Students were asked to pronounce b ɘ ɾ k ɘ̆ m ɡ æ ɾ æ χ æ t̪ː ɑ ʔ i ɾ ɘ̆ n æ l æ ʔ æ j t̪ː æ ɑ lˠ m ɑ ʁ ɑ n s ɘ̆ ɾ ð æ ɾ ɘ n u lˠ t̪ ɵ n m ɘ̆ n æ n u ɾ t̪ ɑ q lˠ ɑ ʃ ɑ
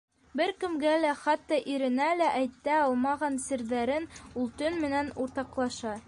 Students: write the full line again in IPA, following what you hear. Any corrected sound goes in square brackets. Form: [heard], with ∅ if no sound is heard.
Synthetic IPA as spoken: b ɘ ɾ k ɘ̆ m ɡ æ [l] æ χ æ t̪ː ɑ ʔ i ɾ ɘ̆ n æ l æ ʔ æ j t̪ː æ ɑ lˠ m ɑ ʁ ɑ n s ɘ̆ ɾ ð æ ɾ ɘ n u lˠ t̪ ɵ n m ɘ̆ n æ n u ɾ t̪ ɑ q lˠ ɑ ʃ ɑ